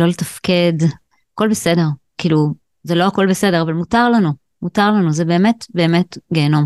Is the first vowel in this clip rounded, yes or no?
yes